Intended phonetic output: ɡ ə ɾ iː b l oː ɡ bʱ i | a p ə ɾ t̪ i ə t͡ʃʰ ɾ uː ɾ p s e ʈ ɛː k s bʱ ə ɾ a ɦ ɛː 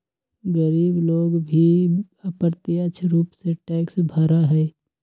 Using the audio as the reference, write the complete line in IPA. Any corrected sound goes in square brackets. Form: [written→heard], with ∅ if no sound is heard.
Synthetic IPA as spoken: ɡ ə ɾ iː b l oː ɡ bʱ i | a p ə ɾ t̪ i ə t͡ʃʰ ɾ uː [ɾ→∅] p s e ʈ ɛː k s bʱ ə ɾ a ɦ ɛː